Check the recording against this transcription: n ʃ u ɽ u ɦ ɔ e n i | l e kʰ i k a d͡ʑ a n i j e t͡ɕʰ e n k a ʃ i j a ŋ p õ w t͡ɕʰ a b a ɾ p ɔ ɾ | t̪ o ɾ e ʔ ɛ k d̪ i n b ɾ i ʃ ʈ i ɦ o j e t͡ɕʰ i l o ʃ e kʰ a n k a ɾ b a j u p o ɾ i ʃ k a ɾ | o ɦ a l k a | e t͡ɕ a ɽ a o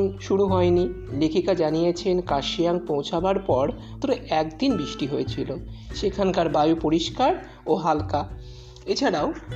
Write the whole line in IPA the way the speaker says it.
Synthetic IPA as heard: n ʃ u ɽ u ɦ ɔ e n i | l e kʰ i k a d͡ʑ a n i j e t͡ɕʰ e n k a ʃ i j a ŋ p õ w t͡ɕʰ a b a ɾ p ɔ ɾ | t̪ o ɾ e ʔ ɛ k d̪ i n b ɾ i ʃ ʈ i ɦ o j e t͡ɕʰ i l o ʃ e kʰ a n k a ɾ b a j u p o ɾ i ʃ k a ɾ | o ɦ a l k a | e t͡ɕʰ a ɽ a o